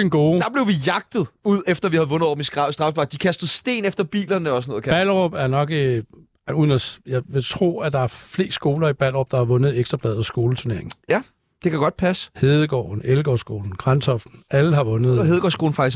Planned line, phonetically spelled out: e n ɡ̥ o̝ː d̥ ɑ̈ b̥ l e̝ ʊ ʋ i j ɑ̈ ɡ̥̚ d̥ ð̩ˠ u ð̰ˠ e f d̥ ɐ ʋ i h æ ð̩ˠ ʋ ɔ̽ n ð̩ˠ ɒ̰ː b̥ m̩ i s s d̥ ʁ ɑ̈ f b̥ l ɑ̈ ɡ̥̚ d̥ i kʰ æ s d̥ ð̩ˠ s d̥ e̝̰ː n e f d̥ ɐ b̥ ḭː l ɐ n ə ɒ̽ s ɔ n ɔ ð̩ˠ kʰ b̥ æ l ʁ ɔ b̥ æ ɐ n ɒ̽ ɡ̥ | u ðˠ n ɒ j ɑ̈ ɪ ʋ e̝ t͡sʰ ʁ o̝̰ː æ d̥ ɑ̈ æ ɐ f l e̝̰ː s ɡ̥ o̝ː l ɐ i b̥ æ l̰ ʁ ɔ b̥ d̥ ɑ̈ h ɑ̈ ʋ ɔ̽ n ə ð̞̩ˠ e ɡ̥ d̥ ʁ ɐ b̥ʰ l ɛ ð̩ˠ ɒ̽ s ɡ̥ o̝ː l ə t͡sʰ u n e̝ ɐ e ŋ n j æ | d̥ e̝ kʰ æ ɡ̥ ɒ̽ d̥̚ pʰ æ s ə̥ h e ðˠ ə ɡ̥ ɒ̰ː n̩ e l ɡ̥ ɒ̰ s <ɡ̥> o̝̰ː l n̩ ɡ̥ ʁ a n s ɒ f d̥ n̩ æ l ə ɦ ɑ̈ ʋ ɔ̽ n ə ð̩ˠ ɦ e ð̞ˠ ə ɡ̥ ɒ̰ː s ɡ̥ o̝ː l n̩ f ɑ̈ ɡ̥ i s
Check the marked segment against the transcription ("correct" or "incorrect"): correct